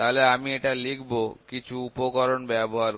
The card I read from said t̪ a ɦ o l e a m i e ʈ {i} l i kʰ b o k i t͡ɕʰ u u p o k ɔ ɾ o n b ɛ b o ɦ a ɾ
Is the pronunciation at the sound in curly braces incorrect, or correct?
incorrect